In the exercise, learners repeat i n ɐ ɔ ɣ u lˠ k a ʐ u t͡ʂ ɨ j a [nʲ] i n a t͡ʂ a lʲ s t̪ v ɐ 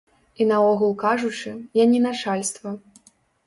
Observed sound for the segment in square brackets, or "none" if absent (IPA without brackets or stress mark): nʲ